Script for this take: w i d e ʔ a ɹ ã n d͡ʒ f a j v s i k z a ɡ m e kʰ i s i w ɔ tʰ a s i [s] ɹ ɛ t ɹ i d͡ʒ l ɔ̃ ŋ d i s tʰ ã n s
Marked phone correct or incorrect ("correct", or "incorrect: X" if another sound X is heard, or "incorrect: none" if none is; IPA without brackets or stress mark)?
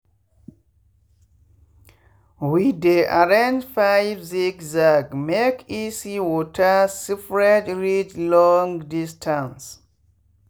incorrect: f